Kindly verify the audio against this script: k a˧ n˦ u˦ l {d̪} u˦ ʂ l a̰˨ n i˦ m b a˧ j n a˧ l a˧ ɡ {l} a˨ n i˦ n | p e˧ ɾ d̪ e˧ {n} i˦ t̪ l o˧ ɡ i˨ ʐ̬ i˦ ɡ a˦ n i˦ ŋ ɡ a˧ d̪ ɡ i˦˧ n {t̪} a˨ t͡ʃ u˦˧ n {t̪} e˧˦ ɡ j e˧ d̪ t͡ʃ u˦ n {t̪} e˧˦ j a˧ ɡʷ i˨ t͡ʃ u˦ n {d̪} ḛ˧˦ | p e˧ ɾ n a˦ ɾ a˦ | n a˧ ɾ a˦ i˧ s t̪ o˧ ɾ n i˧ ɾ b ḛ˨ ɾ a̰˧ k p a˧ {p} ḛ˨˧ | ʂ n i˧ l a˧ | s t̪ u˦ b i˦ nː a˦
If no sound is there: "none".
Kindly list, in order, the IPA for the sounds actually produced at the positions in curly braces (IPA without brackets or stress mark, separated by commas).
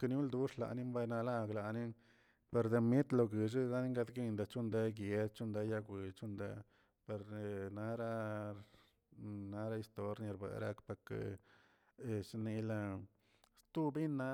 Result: d̪, l, m, d̪, d̪, d̪, d̪, k